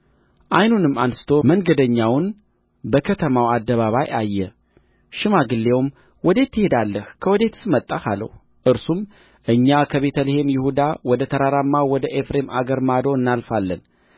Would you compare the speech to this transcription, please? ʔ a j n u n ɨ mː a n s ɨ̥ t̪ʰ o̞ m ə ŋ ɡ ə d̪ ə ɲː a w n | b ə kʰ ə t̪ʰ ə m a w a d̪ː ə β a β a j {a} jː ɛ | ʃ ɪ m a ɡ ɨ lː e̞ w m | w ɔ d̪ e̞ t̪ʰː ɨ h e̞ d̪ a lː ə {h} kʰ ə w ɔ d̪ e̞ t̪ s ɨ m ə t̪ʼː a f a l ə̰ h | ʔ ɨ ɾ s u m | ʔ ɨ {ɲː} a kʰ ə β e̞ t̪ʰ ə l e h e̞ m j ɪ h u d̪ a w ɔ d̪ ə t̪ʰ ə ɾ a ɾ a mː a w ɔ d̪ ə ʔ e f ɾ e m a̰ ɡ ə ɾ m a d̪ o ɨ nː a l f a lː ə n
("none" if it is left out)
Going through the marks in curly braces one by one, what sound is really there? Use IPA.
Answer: a, h, ɲː

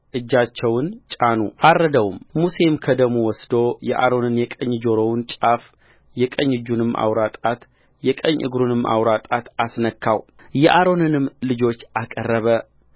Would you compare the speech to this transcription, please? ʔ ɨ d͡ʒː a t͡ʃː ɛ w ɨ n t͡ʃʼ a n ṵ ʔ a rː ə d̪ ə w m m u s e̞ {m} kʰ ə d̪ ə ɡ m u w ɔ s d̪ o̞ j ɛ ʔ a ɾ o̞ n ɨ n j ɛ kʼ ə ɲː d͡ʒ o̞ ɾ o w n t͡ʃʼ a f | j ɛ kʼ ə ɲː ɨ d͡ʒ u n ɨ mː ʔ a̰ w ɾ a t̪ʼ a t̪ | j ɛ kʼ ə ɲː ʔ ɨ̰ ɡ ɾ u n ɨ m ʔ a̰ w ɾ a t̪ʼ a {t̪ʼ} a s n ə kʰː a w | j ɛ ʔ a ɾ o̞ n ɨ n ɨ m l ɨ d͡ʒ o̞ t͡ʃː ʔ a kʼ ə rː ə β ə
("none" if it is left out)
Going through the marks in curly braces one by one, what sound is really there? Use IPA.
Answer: m, t̪

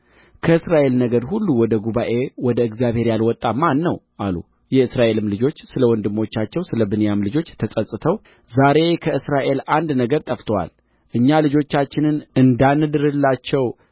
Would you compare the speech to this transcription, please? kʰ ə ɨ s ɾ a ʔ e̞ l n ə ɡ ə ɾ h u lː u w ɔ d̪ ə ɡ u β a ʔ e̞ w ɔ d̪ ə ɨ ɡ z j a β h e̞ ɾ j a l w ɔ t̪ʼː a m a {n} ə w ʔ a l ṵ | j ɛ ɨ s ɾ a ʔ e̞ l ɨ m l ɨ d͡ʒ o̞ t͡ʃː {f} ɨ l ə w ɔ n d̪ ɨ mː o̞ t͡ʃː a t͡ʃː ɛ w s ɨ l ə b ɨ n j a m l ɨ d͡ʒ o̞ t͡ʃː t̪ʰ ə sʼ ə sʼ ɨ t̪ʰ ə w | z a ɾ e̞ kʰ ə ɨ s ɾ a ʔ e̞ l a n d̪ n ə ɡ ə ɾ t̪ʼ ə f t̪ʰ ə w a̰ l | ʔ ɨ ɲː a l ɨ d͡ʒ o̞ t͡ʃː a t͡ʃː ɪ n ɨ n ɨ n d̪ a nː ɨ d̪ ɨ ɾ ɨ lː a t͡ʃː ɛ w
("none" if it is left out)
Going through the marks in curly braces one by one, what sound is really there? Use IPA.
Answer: nː, s

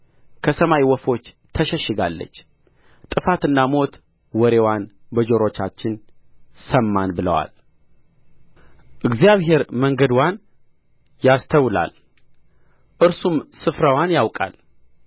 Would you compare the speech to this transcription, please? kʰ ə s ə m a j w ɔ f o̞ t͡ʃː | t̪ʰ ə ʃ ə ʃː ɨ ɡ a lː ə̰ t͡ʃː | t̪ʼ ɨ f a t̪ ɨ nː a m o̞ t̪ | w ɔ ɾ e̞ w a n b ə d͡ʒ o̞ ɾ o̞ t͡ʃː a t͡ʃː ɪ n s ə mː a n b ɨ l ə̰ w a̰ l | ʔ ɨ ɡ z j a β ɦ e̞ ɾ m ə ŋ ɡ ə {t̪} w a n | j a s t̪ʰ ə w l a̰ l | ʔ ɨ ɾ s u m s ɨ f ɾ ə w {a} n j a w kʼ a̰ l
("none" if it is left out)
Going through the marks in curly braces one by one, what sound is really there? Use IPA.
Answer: d̪, a

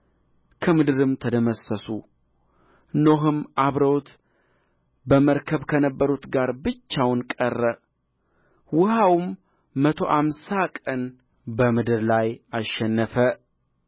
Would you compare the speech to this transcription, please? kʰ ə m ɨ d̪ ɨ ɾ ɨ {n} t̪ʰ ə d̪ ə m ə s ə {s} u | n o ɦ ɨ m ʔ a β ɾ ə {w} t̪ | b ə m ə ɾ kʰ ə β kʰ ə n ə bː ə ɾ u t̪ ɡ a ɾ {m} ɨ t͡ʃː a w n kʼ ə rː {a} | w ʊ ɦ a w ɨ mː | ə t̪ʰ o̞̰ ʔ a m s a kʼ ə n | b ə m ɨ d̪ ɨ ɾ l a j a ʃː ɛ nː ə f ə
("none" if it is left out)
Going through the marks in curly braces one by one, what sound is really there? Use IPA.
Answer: m, s, w, b, ə

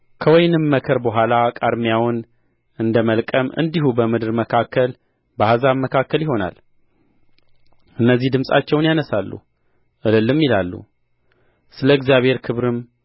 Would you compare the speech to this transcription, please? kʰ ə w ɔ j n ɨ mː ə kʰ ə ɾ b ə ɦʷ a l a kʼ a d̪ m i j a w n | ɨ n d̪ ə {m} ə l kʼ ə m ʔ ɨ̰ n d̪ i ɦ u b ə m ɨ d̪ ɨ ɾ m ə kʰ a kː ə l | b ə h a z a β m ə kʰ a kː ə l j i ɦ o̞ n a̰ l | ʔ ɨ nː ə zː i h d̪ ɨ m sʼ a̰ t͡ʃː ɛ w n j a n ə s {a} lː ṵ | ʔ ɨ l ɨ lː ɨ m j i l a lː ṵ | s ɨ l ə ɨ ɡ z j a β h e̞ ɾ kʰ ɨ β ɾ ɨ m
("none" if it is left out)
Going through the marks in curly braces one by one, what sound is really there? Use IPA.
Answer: m, a

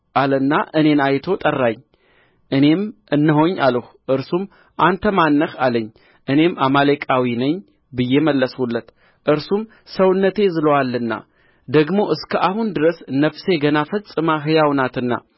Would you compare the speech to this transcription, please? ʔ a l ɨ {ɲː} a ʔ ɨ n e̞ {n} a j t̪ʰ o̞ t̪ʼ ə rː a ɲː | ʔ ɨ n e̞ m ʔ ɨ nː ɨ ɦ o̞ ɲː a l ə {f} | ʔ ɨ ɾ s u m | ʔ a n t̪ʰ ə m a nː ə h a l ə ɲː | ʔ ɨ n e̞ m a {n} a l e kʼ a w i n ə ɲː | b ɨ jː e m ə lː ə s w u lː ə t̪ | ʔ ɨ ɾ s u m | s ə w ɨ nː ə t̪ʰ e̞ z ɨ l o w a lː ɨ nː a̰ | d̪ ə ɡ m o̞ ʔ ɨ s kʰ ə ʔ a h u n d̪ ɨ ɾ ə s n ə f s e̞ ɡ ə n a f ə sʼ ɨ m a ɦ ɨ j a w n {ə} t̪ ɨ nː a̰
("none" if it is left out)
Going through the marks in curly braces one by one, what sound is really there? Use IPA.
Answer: nː, n, h, m, a

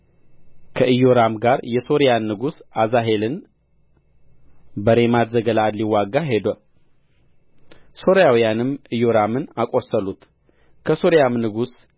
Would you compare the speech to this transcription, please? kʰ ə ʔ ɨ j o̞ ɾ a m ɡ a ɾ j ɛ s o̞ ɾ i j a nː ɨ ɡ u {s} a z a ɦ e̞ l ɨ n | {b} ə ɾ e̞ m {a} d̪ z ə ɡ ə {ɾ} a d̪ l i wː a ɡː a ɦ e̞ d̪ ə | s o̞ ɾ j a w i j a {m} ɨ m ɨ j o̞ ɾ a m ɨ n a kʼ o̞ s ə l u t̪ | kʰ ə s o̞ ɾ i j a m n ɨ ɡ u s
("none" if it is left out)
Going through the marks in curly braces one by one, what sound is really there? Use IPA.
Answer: s, b, a, l, n

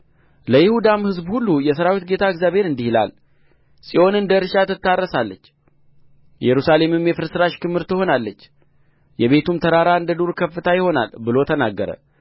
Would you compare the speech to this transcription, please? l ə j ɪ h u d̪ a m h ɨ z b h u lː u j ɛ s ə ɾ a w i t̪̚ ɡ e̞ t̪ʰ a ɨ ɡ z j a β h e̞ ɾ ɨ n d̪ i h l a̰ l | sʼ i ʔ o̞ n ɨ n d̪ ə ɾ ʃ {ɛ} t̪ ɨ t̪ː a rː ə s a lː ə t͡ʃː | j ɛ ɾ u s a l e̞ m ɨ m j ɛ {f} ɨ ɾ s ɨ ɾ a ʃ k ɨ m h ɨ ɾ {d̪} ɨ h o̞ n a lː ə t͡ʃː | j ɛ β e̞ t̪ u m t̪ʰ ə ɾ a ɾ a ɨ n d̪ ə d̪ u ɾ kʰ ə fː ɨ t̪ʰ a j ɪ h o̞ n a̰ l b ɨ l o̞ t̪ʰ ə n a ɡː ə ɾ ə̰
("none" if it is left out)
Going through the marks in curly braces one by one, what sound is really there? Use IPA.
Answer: a, f, t̪

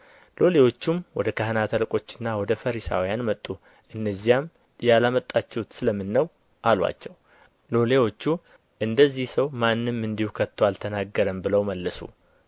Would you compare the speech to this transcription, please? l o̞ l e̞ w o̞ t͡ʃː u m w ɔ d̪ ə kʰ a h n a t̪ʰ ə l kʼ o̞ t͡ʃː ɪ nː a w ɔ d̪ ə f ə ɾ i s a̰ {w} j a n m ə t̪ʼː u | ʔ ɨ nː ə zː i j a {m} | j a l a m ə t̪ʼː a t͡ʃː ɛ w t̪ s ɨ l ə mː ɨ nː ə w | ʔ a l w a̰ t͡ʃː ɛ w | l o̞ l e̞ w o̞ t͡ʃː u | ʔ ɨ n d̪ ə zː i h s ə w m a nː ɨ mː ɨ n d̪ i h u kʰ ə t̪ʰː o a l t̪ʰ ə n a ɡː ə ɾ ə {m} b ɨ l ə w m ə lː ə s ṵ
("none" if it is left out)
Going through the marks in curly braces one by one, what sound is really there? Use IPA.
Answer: w, m, m

